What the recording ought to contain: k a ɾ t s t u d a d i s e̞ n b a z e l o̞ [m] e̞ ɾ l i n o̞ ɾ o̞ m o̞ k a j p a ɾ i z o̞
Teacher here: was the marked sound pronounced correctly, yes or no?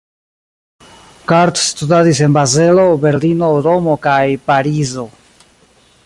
no